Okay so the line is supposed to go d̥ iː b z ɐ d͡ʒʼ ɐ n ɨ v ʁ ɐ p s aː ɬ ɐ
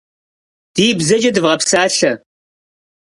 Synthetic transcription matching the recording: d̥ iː b z ɐ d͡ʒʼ ɐ d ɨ v ʁ ɐ p s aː ɬ ɐ